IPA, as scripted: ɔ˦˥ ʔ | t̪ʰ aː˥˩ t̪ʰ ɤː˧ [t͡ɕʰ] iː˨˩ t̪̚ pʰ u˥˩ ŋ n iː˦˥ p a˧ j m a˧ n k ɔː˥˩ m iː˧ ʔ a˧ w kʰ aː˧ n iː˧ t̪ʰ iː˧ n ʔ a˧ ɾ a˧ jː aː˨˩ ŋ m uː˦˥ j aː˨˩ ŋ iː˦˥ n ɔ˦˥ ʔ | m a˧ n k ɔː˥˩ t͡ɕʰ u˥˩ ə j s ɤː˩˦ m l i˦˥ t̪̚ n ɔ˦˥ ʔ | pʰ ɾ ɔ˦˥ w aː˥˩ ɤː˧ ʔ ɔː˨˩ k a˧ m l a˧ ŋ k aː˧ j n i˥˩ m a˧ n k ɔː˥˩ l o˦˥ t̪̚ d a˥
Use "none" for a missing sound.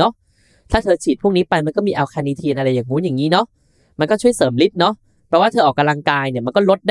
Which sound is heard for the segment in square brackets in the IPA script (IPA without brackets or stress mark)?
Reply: t͡ɕʰ